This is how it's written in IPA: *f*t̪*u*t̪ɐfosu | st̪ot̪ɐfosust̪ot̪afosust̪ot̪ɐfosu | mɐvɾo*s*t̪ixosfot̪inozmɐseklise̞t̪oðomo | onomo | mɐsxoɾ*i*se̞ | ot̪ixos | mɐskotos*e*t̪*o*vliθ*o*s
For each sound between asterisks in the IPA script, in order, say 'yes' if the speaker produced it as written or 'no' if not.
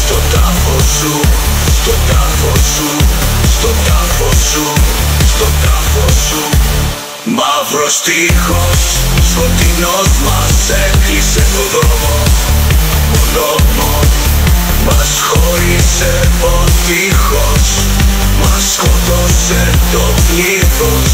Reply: no, no, yes, yes, yes, yes, yes

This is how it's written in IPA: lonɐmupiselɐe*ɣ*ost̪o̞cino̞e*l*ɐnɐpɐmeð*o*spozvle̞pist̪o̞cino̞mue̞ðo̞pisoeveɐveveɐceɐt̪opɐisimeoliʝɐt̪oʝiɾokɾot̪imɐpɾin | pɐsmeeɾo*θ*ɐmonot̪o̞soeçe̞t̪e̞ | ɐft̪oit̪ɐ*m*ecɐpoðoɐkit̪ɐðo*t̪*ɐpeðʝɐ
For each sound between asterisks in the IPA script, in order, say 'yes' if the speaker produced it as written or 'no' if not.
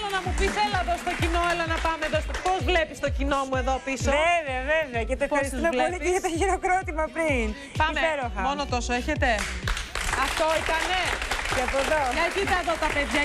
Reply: no, yes, yes, no, no, yes

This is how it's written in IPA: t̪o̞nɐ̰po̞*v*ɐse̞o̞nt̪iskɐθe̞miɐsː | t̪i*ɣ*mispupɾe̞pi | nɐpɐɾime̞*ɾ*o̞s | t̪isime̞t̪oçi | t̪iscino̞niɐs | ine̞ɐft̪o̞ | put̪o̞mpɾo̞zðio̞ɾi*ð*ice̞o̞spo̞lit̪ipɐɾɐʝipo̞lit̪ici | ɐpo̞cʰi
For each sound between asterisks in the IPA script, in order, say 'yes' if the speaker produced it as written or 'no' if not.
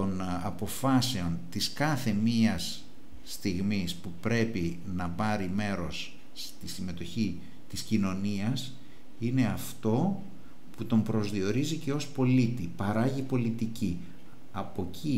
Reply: no, yes, yes, no

